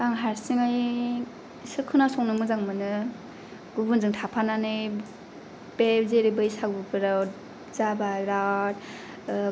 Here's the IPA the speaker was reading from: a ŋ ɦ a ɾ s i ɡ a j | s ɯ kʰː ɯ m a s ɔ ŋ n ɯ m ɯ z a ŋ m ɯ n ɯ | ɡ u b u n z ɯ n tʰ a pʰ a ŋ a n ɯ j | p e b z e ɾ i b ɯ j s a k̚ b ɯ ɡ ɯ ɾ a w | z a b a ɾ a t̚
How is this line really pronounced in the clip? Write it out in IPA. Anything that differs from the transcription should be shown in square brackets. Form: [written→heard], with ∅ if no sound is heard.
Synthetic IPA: a ŋ ɦ a ɾ s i [ɡ→ŋ] a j | s ɯ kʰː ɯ [m→n] a s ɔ ŋ n ɯ m ɯ z a ŋ m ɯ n ɯ | ɡ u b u n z ɯ [n→ŋ] tʰ a pʰ a [ŋ→n] a n ɯ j | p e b z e ɾ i b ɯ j s a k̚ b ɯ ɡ ɯ ɾ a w | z a b a ɾ a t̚